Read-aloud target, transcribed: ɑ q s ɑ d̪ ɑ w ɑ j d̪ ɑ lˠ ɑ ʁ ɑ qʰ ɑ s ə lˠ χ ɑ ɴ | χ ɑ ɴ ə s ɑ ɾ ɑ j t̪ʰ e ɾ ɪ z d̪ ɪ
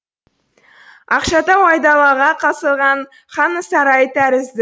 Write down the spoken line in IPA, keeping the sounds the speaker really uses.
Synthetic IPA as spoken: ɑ q ʃ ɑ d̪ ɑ w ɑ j d̪ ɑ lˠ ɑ ʁ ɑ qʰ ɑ s ə lˠ ʁ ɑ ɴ | χ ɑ n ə s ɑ ɾ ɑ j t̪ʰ æ ɾ ɪ z d̪ ɪ